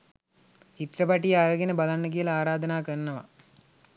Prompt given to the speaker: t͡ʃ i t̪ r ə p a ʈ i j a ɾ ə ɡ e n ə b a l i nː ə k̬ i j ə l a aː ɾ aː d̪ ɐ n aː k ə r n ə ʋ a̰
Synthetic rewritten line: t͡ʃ i t̪ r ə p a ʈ i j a ɾ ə ɡ e n ə b a l a nː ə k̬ i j ə l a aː ɾ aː d̪ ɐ n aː k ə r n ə ʋ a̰